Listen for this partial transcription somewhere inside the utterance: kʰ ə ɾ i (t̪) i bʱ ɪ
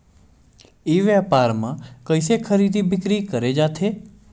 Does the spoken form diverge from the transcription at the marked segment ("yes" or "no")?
yes